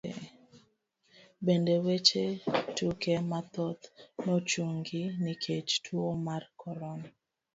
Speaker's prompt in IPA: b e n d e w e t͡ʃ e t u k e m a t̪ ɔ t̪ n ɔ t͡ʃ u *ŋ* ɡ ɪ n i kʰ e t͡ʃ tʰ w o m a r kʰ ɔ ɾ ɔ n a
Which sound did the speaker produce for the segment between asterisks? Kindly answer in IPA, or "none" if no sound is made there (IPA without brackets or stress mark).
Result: ŋ